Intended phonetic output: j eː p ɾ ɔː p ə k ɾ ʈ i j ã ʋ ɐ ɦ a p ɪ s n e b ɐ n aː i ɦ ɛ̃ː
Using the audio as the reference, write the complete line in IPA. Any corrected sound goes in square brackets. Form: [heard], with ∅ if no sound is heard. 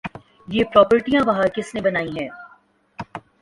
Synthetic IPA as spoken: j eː p ɾ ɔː p ə [∅] ɾ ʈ i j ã ʋ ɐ ɦ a [k] ɪ s n e b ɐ n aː i ɦ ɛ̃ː